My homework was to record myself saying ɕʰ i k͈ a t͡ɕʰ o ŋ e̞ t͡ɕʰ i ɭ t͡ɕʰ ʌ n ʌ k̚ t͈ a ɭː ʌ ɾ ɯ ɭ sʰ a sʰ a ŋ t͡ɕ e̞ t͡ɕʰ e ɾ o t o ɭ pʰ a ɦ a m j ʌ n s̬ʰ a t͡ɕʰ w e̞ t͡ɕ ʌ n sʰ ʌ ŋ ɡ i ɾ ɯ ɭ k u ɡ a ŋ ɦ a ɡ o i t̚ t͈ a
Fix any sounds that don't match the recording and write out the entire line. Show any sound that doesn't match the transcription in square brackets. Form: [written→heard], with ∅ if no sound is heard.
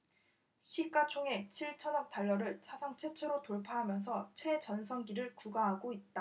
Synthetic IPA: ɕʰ i k͈ a t͡ɕʰ o ŋ e̞ t͡ɕʰ i ɭ t͡ɕʰ ʌ n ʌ k̚ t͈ a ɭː ʌ ɾ ɯ ɭ sʰ a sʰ a ŋ [t͡ɕ→t͡ɕʰ] e̞ t͡ɕʰ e ɾ o t o ɭ pʰ a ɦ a m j ʌ n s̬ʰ [a→ʌ] t͡ɕʰ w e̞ t͡ɕ ʌ n sʰ ʌ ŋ ɡ i ɾ ɯ ɭ k u ɡ a [ŋ→∅] ɦ a ɡ o i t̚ t͈ a